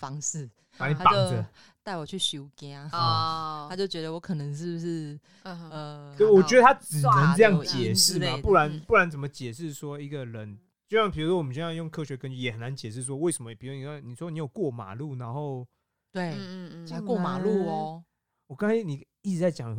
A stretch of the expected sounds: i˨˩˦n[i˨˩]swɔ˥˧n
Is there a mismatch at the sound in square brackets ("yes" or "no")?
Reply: no